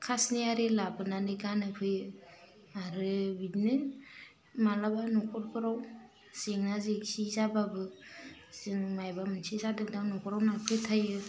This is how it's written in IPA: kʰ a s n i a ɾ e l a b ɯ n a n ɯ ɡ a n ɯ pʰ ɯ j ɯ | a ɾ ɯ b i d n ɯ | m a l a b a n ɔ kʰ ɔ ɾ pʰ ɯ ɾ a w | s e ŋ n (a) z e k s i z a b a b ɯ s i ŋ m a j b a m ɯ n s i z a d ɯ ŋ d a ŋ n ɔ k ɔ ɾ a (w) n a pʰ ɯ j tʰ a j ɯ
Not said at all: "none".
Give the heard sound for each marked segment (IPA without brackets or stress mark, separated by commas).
a, w